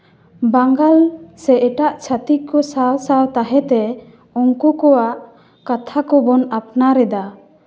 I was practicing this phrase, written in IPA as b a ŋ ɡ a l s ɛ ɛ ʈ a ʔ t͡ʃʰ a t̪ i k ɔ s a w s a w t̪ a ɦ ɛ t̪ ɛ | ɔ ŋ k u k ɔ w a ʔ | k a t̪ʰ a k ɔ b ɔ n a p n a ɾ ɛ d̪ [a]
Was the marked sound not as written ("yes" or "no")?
no